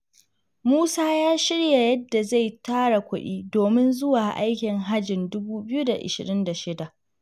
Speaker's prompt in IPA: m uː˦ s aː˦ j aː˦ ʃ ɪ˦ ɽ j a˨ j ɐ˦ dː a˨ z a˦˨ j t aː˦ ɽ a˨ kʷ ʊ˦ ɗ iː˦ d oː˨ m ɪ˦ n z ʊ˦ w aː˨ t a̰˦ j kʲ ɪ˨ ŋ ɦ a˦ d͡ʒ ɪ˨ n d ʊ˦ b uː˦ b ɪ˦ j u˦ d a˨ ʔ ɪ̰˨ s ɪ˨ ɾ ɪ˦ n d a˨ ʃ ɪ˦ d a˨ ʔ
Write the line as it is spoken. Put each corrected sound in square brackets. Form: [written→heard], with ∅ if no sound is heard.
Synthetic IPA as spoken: m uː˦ s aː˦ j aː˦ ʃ ɪ˦ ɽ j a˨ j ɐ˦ dː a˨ z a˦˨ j t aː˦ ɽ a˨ kʷ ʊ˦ ɗ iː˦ d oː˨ m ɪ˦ n z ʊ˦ w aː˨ [t→ʔ] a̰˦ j kʲ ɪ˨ ŋ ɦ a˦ d͡ʒ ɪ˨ n d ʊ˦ b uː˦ b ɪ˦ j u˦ d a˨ ʔ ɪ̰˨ [s→ʃ] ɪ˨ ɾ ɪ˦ n d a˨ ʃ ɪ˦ d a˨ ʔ